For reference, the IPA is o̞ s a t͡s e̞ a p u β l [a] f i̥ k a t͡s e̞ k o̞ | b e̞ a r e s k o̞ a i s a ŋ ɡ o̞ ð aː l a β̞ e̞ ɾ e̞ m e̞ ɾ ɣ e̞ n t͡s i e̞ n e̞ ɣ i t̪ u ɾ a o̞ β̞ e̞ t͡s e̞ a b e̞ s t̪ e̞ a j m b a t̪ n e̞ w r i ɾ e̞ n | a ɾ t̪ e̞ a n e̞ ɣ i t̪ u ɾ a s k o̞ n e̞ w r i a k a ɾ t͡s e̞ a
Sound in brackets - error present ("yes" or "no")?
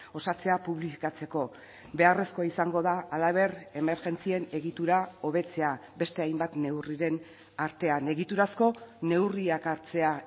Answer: yes